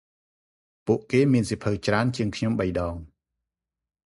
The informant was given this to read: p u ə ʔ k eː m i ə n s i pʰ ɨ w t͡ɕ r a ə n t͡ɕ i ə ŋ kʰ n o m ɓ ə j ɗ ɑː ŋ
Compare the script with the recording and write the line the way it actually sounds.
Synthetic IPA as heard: p u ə ʔ k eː m i ə n s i pʰ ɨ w t͡ɕ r a ə n t͡ɕ i ə ŋ kʰ ɲ o m ɓ ə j ɗ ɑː ŋ